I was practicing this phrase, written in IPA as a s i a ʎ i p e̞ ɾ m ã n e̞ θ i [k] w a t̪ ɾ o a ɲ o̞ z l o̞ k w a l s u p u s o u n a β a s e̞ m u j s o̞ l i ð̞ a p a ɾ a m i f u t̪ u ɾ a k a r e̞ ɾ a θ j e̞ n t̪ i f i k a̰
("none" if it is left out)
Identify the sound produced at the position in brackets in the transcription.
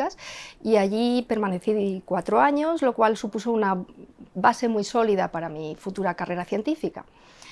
k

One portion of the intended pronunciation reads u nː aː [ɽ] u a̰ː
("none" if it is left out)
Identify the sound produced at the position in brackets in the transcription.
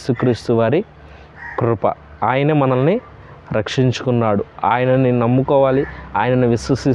ɽ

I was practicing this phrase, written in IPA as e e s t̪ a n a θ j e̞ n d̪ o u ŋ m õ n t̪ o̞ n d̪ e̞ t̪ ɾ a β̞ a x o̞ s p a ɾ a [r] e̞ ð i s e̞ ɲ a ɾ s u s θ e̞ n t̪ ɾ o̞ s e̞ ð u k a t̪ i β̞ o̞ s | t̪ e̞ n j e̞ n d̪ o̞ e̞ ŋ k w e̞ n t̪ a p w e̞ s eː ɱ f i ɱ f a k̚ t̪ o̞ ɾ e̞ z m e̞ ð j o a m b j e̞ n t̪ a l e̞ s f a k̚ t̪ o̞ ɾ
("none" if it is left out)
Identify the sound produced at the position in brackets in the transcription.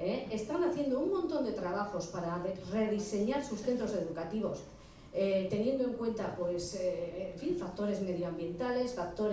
r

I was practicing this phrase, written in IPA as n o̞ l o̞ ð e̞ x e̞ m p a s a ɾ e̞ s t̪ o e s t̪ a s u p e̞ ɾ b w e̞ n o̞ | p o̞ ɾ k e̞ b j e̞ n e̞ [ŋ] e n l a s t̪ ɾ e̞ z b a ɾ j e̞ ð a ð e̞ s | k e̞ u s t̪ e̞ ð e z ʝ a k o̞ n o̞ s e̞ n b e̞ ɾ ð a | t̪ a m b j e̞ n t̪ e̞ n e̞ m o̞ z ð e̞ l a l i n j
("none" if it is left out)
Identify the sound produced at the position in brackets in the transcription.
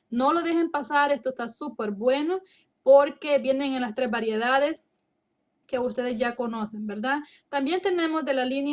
ŋ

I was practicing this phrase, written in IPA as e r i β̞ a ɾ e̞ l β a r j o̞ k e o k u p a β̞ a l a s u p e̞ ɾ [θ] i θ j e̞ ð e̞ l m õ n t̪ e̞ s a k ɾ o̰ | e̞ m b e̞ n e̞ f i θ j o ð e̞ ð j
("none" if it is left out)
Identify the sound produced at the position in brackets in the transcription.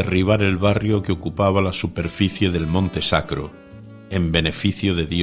f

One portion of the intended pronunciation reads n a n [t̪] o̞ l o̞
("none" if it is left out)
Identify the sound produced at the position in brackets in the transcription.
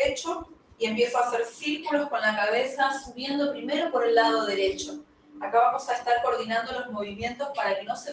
d̪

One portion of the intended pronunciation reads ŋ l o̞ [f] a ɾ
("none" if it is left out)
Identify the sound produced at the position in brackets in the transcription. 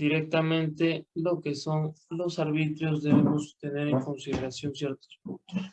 s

